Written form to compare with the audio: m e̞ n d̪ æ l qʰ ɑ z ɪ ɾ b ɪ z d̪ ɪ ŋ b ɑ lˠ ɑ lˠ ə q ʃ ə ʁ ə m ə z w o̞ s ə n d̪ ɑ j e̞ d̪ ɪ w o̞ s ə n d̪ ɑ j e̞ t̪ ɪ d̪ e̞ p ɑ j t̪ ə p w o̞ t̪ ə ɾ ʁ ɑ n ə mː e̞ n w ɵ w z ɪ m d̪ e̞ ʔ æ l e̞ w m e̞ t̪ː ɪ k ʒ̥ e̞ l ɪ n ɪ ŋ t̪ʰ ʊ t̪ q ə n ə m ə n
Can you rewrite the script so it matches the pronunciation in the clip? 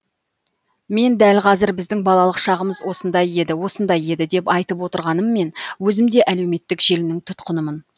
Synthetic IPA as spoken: m e̞ n d̪ æ l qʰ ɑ z ɪ ɾ b ɪ z d̪ ɪ ŋ b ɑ lˠ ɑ lˠ ə q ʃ ɑ ʁ ə m ə z w o̞ s ə n d̪ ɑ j e̞ d̪ ɪ w o̞ s ə n d̪ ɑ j e̞ d̪ ɪ d̪ e̞ p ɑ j t̪ ə p w o̞ t̪ ə ɾ ʁ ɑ n ə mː e̞ n w ɵ z ɪ m d̪ e̞ ʔ æ l e̞ w m e̞ t̪ː ɪ k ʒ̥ e̞ l ɪ n ɪ ŋ t̪ʰ ʊ t̪ q ə n ə m ə n